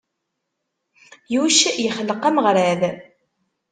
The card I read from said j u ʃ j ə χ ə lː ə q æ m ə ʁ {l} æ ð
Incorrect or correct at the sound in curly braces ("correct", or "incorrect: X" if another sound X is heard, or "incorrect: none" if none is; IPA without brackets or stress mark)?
incorrect: ɾ